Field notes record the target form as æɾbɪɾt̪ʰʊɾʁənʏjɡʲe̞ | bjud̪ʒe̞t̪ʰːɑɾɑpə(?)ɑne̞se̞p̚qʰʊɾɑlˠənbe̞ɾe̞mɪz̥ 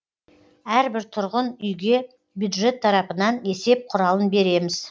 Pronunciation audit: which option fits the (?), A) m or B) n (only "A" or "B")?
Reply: B